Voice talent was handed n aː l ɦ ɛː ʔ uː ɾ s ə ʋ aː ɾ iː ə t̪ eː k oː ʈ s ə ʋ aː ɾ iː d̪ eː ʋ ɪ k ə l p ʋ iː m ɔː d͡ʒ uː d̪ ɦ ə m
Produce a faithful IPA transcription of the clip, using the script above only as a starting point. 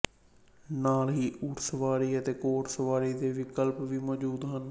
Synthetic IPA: n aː l ɦ iː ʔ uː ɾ s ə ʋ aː ɾ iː ə t̪ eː k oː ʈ s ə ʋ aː ɾ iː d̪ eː ʋ ɪ k ə l p ʋ iː m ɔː d͡ʒ uː d̪ ɦ ə n